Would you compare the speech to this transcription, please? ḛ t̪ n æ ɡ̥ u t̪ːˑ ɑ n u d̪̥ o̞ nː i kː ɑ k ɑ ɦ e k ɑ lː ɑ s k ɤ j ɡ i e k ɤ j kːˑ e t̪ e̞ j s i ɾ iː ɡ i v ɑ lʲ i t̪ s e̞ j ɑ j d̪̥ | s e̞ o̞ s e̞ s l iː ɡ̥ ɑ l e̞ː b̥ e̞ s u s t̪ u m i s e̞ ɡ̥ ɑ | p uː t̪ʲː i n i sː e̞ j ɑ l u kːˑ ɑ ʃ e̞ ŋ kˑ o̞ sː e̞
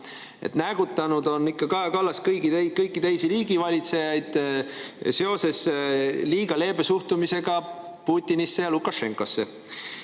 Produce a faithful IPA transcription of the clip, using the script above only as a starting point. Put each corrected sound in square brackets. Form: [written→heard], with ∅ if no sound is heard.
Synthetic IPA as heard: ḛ t̪ n æ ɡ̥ u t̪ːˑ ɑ n u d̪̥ o̞ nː i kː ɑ k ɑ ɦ e k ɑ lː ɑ s k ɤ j ɡ i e k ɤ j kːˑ [e→i] t̪ e̞ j s i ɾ iː ɡ i v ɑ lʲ i t̪ s e̞ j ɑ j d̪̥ | s e̞ o̞ s e̞ s l iː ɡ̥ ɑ l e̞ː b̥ e̞ s u [s→h] t̪ u m i s e̞ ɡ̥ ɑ | p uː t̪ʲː i n i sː e̞ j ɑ l u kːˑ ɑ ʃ e̞ ŋ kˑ o̞ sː e̞